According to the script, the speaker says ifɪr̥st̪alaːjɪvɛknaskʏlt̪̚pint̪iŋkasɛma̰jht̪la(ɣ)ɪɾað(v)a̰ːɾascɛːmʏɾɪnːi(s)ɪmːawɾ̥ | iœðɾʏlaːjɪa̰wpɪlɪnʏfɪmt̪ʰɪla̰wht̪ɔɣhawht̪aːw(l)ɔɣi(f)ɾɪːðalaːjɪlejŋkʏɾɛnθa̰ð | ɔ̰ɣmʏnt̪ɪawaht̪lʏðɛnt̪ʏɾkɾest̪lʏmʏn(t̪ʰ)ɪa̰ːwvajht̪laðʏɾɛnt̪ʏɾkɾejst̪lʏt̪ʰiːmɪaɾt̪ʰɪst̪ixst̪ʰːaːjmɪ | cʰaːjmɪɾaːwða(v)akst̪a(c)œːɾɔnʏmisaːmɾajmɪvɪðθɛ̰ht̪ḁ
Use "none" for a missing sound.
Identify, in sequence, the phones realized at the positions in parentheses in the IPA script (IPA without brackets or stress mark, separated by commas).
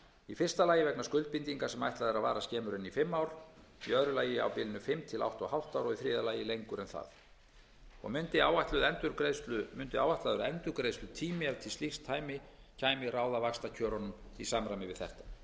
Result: ð, v, f, ɾ, θ, t̪, v, cʰ